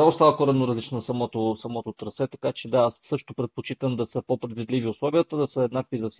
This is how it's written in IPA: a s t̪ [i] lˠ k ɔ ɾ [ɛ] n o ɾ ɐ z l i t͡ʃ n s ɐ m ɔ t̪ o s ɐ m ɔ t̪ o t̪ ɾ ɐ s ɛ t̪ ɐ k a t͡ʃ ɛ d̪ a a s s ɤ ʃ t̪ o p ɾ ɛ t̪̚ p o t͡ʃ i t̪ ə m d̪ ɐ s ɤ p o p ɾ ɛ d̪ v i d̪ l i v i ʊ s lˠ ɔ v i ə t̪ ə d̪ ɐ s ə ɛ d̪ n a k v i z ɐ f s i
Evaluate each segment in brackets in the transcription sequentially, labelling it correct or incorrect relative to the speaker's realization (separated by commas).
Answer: incorrect, correct